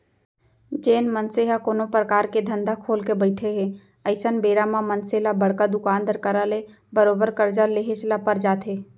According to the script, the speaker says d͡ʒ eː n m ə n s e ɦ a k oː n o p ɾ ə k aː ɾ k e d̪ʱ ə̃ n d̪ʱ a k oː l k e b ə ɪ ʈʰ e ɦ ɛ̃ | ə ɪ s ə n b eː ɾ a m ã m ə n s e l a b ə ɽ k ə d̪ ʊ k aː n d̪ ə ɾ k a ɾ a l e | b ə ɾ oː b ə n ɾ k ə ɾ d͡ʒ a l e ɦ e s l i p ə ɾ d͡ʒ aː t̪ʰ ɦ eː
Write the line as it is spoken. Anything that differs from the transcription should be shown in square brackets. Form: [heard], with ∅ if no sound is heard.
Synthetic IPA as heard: d͡ʒ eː n m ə n s e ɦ a k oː n o p ɾ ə k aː ɾ k e d̪ʱ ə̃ n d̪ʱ a [kʰ] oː l k e b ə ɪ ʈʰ e ɦ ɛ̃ | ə ɪ s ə n b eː ɾ a m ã m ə n s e l a b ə ɽ k [a] d̪ ʊ k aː n d̪ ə ɾ k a ɾ a l e | b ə ɾ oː b ə [∅] ɾ k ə ɾ d͡ʒ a l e ɦ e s l [a] p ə ɾ d͡ʒ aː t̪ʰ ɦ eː